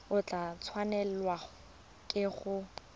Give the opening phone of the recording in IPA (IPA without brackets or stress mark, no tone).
ʊ